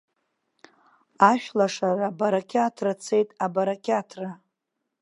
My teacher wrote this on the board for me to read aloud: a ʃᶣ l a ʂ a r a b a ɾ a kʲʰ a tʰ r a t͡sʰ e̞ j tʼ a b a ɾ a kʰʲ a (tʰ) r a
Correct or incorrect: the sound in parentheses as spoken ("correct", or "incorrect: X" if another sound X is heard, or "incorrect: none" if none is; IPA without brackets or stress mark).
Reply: correct